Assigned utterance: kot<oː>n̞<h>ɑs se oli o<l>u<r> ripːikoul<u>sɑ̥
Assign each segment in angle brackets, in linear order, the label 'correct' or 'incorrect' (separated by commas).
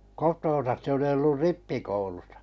correct, incorrect, incorrect, correct, correct